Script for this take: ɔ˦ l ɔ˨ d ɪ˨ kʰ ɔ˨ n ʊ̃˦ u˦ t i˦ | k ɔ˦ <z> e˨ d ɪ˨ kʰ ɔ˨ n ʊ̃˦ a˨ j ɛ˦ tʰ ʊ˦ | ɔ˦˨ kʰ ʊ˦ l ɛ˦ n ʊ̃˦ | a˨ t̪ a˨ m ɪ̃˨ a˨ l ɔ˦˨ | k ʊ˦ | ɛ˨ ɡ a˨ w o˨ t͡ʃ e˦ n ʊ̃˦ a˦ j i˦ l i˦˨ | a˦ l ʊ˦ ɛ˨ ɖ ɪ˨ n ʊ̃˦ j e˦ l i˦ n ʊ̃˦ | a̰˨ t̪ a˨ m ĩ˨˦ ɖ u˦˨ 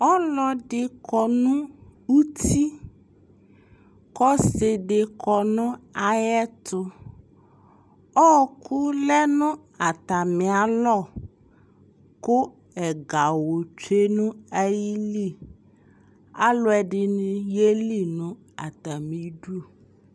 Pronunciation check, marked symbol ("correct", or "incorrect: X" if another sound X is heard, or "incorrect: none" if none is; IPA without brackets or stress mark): incorrect: s